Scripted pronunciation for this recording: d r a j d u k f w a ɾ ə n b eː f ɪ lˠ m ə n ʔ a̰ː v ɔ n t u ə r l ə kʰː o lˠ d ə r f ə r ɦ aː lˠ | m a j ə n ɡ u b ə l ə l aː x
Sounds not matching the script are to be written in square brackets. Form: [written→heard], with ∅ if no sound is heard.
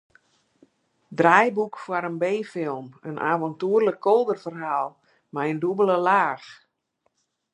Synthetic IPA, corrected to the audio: d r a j [d→b] u k f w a ɾ ə n b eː f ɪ lˠ m ə n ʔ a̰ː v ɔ n t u ə r l ə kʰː o lˠ d ə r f ə r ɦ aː lˠ | m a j ə n [ɡ→d] u b ə l ə l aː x